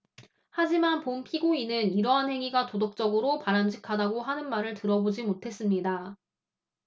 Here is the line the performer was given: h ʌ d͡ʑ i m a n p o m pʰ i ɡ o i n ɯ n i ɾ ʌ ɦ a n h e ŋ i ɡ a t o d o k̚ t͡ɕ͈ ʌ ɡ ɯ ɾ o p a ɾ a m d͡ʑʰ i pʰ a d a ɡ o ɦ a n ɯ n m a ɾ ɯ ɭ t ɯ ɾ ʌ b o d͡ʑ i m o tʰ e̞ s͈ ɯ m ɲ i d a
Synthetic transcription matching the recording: h a d͡ʑ i m a n p o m pʰ i ɡ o i n ɯ n i ɾ ʌ ɦ a n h e ŋ i ɡ a t o d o k̚ t͡ɕ͈ ʌ ɡ ɯ ɾ o p a ɾ a m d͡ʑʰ i kʰ a d a ɡ o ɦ a n ɯ n m a ɾ ɯ ɭ t ɯ ɾ ʌ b o d͡ʑ i m o tʰ e̞ s͈ ɯ m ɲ i d a